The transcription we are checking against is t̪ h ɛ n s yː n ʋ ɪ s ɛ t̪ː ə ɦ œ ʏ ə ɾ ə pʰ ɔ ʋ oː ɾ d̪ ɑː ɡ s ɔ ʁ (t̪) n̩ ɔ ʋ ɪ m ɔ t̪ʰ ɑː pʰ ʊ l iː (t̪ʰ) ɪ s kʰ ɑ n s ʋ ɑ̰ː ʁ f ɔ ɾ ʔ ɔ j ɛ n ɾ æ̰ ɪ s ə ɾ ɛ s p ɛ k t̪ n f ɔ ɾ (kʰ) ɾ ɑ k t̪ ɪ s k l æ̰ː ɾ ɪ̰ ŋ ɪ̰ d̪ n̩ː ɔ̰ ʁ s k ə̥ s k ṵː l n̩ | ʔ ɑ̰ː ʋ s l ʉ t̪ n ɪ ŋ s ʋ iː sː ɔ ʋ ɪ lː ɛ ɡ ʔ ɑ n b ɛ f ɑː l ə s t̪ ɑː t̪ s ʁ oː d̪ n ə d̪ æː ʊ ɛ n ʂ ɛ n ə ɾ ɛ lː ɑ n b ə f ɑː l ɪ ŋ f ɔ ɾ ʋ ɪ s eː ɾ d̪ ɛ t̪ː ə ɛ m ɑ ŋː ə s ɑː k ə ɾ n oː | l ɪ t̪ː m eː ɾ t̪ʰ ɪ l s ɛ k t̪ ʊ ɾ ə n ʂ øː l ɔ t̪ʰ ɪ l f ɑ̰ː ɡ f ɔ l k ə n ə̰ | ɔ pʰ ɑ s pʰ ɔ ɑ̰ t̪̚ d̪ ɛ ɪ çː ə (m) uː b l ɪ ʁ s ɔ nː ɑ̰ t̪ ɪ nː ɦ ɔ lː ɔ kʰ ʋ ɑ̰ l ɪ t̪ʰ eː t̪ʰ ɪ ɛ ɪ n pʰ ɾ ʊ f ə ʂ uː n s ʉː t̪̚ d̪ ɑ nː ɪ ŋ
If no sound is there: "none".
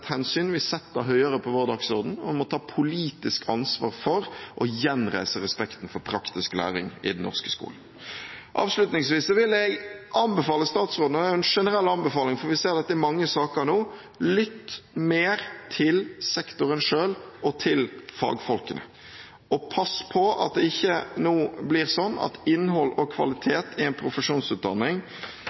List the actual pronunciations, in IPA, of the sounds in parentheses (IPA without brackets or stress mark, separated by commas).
d̪, t̪, pʰ, n